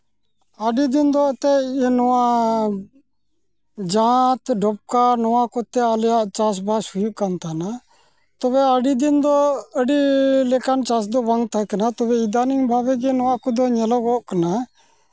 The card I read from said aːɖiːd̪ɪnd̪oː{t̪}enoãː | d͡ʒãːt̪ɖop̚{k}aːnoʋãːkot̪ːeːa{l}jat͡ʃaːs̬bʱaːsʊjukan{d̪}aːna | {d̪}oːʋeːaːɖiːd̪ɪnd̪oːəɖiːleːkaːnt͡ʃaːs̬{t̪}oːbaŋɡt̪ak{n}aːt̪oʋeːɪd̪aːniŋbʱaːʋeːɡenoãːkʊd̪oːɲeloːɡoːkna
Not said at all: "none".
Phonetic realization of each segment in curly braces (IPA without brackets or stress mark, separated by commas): t̪, k, l, t̪, t̪, d̪, n